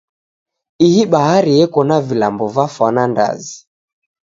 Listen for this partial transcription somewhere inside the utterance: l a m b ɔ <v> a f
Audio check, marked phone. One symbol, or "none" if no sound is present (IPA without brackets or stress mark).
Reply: v